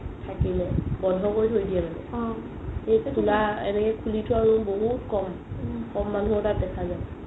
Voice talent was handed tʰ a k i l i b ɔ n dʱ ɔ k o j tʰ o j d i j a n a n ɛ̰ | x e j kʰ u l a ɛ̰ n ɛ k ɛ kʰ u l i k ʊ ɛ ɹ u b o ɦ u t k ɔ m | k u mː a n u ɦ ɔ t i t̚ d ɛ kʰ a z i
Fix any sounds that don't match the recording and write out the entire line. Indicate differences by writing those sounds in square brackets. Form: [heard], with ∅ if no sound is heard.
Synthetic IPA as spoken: tʰ a k i l [ɛ] b ɔ n dʱ ɔ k o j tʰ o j d i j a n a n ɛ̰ | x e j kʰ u l a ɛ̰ n ɛ k ɛ kʰ u l i [t] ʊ [a] ɹ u b o ɦ u t k ɔ m | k [ɔ] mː a n u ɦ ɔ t [a] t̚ d ɛ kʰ a z [a]